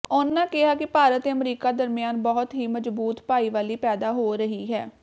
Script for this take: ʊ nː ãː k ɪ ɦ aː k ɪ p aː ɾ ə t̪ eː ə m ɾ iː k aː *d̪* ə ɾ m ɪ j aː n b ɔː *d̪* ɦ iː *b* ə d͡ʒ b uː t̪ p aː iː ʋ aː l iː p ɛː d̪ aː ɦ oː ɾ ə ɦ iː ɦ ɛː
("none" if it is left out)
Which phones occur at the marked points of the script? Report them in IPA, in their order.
d̪, t̪, m

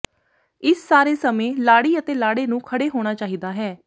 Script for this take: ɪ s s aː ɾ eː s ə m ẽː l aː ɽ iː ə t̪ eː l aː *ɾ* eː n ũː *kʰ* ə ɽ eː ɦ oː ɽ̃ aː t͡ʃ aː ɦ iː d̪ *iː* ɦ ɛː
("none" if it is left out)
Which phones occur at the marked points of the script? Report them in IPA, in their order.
ɽ, kʰ, aː

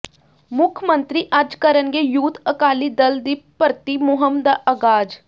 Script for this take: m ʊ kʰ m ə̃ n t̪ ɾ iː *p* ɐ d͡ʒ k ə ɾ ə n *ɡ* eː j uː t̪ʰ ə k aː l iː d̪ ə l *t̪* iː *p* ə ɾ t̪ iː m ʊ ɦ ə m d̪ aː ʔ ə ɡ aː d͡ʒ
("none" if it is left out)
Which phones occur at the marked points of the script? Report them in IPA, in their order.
ʔ, ɡ, d̪, p

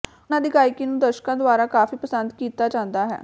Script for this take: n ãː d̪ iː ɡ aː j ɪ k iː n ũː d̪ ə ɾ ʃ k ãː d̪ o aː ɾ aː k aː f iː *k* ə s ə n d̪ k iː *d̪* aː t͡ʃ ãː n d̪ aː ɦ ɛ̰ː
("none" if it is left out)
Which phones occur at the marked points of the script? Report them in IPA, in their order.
p, t̪

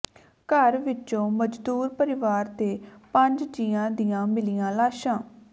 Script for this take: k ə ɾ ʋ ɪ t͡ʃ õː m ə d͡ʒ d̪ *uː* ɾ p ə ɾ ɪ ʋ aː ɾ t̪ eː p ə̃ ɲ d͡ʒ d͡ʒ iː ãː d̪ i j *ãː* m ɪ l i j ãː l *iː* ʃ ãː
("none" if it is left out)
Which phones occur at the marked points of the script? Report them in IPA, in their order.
uː, ãː, aː

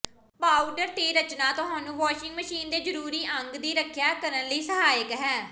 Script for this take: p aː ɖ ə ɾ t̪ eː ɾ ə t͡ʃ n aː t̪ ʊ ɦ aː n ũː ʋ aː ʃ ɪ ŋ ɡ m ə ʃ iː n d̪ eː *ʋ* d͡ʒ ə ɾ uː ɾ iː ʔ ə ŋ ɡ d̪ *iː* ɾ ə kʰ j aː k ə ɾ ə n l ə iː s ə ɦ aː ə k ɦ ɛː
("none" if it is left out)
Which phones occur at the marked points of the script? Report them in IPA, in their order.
none, iː

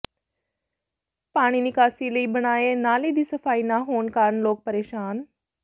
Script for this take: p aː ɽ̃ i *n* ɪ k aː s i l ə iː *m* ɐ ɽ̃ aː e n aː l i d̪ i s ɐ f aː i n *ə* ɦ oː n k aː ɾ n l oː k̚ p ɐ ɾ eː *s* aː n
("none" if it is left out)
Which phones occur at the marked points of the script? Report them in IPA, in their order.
n, b, a, ʃ

